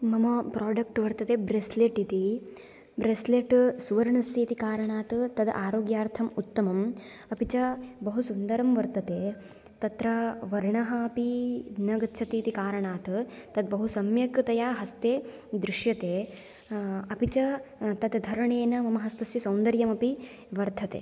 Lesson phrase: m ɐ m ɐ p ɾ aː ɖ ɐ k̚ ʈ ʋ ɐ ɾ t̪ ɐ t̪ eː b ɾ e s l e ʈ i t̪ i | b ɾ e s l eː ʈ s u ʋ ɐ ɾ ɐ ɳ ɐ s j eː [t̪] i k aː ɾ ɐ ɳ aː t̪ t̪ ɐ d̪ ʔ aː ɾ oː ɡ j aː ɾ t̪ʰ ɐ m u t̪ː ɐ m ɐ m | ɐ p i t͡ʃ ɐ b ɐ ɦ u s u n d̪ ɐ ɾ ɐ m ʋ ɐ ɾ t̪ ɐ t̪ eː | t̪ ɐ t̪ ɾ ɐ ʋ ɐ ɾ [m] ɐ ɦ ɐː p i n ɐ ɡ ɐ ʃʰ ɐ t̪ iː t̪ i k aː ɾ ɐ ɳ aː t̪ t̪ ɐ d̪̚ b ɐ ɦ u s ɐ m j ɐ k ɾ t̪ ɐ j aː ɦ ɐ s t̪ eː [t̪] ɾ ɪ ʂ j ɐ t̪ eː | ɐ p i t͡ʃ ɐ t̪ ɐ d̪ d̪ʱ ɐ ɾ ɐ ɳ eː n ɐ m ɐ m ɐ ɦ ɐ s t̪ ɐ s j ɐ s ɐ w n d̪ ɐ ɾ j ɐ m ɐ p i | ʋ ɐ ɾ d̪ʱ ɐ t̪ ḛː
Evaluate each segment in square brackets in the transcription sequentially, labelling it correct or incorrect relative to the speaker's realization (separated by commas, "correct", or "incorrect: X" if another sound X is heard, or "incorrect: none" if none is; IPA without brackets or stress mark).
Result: correct, incorrect: ɳ, incorrect: d̪